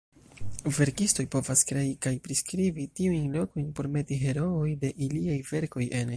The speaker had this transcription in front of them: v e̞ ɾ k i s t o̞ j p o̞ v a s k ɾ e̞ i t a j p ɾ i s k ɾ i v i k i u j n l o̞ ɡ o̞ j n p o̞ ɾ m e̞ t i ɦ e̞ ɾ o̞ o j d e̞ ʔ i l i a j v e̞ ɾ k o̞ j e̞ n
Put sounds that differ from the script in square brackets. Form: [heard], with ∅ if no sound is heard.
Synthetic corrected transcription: v e̞ ɾ k i s t o̞ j p o̞ v a s k ɾ e̞ i [k] a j p ɾ i s k ɾ i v i [t] i u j n l o̞ [k] o̞ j n p o̞ ɾ m e̞ t i ɦ e̞ ɾ o̞ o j d e̞ ʔ i l i a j v e̞ ɾ k o̞ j e̞ n